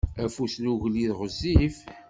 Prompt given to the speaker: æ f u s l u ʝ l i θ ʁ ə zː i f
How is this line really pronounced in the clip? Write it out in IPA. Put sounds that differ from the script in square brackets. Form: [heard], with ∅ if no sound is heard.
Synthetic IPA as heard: æ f u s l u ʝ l i [ð] ʁ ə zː i f